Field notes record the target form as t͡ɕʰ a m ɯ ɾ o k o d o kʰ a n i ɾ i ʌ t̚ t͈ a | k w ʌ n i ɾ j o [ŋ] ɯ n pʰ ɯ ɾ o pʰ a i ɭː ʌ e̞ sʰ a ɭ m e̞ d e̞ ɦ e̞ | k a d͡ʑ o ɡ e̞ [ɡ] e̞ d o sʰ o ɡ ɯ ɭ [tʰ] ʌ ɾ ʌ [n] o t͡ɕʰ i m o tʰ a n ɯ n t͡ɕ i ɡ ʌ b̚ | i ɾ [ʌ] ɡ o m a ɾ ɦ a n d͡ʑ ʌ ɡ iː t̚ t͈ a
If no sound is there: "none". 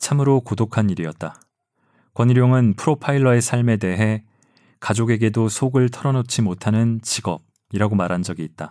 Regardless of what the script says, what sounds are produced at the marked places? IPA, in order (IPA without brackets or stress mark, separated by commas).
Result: ŋ, ɡ, tʰ, n, a